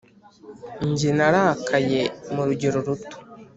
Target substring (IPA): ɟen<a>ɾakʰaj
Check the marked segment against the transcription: correct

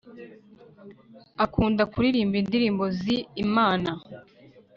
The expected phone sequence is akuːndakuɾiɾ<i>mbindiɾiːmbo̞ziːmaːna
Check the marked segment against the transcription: incorrect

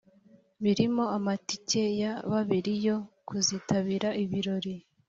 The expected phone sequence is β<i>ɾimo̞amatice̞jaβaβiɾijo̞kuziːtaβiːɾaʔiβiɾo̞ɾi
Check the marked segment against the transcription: correct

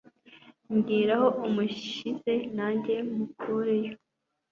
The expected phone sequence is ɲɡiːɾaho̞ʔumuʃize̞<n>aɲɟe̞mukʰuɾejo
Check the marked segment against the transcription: correct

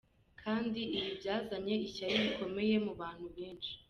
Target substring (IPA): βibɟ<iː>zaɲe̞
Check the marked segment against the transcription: incorrect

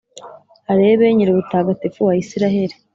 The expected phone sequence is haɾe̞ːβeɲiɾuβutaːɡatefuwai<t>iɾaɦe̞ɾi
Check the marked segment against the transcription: incorrect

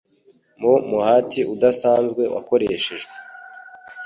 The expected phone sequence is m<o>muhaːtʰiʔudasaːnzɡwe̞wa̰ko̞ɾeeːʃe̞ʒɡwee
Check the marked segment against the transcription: correct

